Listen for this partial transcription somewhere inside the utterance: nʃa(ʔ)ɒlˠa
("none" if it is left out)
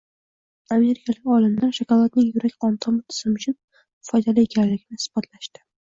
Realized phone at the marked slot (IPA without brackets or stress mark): k